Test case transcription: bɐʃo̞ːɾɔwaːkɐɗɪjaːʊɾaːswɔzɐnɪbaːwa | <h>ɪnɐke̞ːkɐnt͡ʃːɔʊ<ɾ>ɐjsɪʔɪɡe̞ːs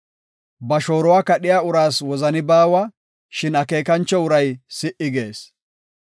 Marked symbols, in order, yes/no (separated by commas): no, yes